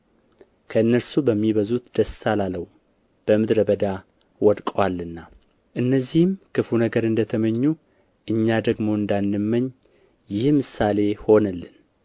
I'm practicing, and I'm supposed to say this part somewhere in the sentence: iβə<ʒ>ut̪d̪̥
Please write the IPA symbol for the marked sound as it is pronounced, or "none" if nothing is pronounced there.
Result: z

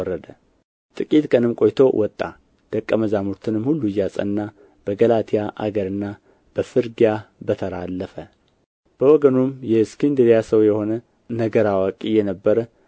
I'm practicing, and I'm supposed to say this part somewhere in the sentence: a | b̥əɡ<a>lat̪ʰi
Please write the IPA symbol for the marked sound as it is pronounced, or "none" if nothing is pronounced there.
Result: ə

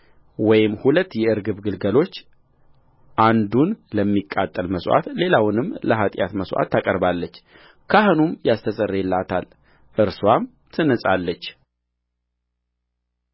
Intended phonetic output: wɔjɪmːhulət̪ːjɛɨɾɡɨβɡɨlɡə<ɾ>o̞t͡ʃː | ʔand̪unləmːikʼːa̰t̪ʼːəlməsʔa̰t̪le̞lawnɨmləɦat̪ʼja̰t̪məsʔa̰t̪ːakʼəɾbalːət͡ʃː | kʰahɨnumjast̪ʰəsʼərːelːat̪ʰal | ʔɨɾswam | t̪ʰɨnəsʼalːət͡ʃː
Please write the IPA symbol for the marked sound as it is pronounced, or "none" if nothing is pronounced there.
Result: l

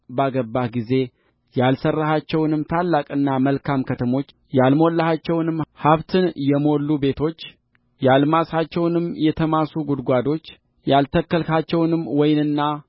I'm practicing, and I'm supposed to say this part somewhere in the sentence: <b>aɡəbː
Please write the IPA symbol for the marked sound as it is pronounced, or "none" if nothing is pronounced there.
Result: b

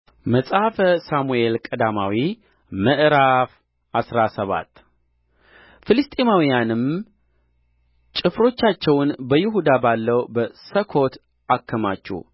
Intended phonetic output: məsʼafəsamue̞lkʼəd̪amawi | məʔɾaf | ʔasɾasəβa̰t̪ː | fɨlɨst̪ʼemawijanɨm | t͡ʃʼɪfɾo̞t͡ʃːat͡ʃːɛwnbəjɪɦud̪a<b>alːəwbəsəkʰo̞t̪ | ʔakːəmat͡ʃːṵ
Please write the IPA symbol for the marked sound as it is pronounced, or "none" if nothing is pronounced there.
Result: b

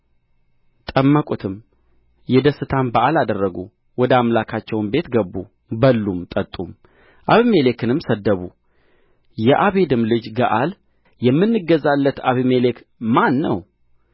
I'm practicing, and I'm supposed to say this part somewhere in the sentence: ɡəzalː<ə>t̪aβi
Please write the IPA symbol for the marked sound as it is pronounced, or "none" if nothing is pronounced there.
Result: ə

